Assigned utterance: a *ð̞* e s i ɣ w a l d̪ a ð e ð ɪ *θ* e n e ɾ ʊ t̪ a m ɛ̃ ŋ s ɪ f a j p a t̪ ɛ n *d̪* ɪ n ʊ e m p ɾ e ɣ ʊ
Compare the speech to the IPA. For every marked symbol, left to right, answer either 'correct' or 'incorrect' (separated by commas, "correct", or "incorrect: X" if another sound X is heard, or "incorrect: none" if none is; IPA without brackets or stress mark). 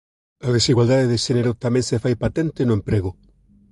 correct, incorrect: ʃ, incorrect: t̪